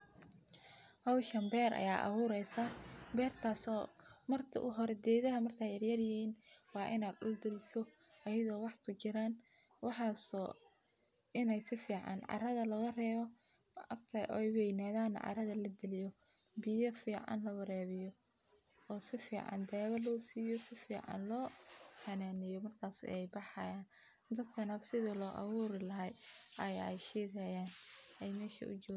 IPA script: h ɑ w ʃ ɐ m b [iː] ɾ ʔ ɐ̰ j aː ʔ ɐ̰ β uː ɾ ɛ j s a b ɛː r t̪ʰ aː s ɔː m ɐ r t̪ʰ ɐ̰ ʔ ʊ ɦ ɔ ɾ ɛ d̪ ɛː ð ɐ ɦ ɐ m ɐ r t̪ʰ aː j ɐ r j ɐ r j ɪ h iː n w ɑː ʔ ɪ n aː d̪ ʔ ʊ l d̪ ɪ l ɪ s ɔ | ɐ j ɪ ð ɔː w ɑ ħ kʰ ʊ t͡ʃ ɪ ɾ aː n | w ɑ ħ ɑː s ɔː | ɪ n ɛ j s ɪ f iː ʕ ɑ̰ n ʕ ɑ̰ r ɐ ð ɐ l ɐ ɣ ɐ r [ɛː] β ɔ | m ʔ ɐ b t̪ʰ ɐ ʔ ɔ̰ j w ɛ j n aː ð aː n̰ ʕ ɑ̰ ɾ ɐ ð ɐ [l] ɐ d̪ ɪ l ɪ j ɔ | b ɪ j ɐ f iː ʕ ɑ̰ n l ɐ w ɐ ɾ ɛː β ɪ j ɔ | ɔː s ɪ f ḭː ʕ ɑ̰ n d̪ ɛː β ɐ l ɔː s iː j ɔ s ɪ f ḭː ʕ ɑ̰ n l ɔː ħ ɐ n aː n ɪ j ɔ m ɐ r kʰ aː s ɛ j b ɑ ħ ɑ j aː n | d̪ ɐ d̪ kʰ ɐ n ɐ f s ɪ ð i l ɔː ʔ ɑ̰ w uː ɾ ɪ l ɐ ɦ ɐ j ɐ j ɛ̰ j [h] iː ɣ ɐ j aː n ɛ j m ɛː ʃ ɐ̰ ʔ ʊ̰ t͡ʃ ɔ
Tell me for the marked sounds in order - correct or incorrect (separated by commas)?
incorrect, correct, correct, incorrect